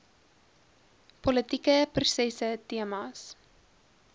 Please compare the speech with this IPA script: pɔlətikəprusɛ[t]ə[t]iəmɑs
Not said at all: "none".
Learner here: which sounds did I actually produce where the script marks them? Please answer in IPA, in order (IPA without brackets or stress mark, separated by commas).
s, t